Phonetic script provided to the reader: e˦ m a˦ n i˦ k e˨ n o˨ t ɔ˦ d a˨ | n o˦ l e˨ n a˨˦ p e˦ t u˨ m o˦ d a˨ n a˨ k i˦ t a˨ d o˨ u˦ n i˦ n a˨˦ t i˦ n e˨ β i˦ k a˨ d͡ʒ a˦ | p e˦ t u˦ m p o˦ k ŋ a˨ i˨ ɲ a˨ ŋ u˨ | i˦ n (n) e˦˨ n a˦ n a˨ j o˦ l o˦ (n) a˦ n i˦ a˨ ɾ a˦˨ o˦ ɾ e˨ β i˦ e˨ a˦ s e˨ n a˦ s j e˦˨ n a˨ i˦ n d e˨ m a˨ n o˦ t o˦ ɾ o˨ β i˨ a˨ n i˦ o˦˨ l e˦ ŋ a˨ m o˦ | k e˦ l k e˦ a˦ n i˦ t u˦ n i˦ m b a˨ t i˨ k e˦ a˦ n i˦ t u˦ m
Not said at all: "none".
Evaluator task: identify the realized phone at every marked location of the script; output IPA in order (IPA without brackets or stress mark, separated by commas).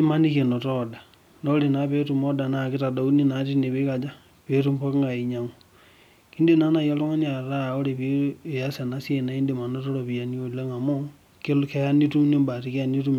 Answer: d, ŋ